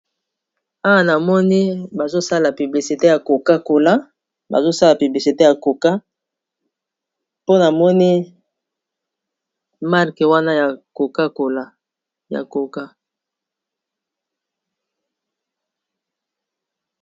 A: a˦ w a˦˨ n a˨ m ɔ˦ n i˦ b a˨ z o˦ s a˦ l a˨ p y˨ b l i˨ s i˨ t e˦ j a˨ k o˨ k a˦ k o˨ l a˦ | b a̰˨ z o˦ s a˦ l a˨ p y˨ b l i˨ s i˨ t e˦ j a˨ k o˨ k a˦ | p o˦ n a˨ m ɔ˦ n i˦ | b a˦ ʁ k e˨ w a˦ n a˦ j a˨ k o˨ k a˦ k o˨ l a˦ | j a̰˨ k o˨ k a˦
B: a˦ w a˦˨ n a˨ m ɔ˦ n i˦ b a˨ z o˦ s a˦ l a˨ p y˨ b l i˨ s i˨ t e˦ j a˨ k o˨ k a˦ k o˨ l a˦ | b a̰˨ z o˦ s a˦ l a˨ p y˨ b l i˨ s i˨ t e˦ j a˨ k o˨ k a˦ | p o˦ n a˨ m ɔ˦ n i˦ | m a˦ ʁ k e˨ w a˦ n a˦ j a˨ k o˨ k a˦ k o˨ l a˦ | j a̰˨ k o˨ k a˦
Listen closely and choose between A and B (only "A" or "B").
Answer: B